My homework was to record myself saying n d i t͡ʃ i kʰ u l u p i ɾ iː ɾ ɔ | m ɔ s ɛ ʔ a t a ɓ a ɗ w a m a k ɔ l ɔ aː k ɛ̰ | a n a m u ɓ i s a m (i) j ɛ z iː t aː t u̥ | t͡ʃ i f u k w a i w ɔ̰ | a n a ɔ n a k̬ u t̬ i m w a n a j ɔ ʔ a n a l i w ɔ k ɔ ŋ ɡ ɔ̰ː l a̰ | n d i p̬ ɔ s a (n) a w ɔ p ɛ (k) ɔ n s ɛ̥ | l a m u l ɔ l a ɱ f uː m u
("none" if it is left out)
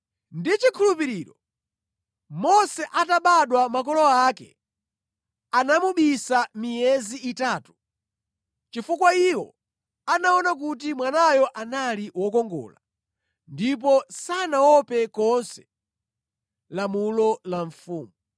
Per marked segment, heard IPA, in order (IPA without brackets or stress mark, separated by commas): i, n, k